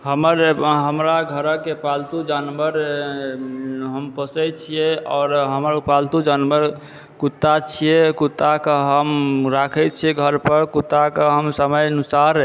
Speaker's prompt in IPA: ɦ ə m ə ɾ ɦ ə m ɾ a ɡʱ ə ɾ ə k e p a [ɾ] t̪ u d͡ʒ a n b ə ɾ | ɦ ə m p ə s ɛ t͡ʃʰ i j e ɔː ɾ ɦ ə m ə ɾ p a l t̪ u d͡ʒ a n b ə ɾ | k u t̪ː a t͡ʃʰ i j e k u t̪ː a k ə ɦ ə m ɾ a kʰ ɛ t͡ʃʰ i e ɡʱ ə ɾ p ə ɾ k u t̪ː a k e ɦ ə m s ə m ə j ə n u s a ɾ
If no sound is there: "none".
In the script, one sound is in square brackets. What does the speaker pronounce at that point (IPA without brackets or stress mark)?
l